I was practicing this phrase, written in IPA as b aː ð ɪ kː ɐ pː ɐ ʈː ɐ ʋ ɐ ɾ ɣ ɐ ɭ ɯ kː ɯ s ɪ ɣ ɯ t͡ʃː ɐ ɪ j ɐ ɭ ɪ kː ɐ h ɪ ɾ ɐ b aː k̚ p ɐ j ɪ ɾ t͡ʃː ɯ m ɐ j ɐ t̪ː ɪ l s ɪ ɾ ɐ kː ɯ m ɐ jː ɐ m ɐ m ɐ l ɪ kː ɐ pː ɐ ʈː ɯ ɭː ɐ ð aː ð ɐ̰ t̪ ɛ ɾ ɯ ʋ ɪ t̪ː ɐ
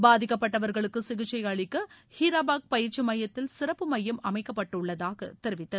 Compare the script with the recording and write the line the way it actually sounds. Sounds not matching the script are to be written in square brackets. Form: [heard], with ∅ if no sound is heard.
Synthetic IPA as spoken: b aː ð ɪ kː ɐ pː ɐ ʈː ɐ ʋ ɐ ɾ ɣ ɐ ɭ ɯ kː ɯ s ɪ ɣ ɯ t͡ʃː ɐ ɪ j ɐ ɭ ɪ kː ɐ h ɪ ɾ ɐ b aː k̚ p ɐ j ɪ ɾ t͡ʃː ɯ m ɐ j ɐ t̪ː ɪ l s ɪ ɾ ɐ [pː] ɯ m ɐ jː ɐ m ɐ m ɐ [∅] ɪ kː ɐ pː ɐ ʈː ɯ ɭː ɐ ð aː [ɣ] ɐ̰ t̪ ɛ ɾ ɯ ʋ ɪ t̪ː ɐ